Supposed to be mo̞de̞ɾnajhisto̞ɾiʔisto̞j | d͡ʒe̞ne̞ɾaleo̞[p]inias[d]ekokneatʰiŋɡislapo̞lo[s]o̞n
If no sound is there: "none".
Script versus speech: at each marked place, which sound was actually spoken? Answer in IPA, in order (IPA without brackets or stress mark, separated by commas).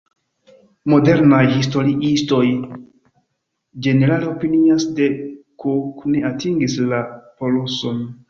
p, d, s